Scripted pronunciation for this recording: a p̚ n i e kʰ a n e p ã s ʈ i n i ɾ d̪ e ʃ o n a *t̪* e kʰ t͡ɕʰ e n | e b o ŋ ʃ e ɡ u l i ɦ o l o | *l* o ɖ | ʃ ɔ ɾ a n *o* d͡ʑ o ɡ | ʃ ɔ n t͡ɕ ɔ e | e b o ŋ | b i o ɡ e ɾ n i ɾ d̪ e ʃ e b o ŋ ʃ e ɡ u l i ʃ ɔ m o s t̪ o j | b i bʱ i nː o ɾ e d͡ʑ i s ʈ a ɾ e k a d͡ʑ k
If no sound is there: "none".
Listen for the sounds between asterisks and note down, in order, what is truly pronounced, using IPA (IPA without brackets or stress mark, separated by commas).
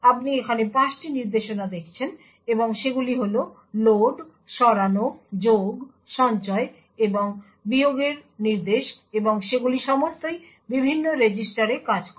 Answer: d̪, l, o